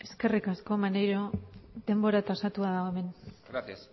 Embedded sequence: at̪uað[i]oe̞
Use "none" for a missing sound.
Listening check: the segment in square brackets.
a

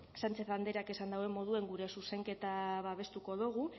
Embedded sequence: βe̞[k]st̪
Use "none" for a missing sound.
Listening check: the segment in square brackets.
none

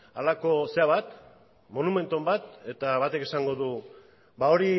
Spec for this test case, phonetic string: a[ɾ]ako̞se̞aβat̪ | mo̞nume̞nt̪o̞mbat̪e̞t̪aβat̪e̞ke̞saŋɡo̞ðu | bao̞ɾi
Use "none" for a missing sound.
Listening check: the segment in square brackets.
l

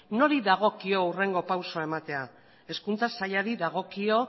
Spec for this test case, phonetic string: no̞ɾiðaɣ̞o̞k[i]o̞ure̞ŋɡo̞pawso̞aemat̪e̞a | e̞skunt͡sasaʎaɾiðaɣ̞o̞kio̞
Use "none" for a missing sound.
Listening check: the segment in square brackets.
i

